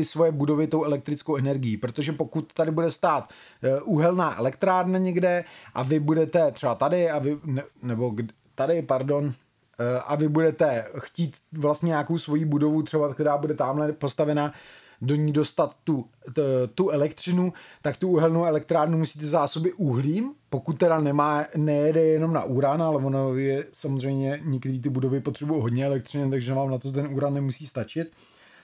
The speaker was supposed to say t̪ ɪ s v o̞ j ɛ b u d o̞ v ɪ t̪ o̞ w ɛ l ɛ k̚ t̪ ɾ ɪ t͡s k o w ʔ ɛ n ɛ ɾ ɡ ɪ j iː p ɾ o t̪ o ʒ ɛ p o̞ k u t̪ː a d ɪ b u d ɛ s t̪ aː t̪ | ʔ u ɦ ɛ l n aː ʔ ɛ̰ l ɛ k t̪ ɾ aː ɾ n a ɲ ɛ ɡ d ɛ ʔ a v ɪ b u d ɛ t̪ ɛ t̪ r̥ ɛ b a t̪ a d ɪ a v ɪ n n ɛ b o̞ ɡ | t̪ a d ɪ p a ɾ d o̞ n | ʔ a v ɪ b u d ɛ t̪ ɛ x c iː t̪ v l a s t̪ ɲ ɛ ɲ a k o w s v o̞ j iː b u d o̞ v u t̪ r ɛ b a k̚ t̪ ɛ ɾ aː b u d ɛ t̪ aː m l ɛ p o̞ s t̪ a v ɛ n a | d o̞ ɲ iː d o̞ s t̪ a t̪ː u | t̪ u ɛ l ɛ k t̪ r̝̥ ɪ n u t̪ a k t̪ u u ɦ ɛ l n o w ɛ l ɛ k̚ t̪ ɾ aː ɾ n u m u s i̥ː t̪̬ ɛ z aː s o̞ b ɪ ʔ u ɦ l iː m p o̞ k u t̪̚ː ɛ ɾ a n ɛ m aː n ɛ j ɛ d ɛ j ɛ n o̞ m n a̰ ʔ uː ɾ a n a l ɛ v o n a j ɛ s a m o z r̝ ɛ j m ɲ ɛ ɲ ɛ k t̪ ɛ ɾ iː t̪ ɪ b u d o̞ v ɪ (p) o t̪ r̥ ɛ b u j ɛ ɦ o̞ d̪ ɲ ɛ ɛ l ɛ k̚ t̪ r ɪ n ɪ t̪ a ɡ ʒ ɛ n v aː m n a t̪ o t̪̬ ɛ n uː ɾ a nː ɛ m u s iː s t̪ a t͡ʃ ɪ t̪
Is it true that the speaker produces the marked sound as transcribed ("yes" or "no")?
yes